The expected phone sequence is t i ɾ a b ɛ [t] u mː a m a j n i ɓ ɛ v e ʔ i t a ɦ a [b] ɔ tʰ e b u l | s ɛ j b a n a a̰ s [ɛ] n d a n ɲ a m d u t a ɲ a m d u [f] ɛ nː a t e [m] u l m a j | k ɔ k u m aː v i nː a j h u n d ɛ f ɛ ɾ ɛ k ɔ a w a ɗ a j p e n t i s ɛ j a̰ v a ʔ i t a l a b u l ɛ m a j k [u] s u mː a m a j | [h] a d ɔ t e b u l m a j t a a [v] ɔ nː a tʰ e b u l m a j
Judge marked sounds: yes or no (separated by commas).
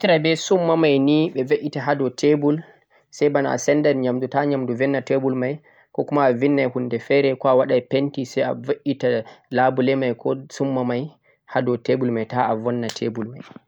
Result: no, no, yes, no, no, no, yes, yes